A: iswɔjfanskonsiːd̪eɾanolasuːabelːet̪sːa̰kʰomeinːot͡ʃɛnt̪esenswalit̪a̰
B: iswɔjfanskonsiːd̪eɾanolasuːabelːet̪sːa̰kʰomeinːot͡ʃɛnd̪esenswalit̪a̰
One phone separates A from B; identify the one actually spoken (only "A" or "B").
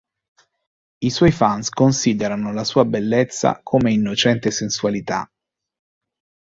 A